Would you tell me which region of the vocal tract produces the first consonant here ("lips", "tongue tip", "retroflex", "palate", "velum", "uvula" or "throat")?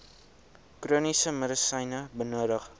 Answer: velum